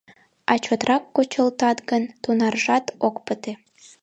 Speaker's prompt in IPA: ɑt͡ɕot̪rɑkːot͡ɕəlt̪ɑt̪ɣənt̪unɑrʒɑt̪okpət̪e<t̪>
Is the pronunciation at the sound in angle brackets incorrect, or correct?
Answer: incorrect